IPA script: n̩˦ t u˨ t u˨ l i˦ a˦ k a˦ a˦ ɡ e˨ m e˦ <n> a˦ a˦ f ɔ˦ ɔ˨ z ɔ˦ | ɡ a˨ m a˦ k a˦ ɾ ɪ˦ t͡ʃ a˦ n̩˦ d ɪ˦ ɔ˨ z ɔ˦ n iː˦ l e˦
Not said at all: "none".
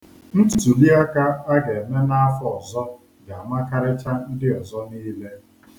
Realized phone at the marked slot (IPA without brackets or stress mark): n